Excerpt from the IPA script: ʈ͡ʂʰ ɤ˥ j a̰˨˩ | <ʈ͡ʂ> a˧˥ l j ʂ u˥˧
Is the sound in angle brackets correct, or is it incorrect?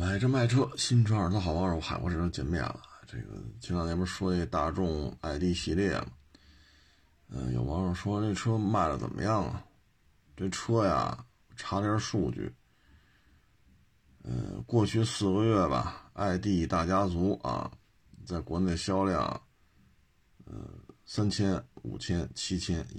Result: incorrect